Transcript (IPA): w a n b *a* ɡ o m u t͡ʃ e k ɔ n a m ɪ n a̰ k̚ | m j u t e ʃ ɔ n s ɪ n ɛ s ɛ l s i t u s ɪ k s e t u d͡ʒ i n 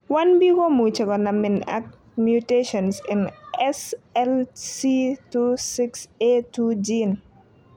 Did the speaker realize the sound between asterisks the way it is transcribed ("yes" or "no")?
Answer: no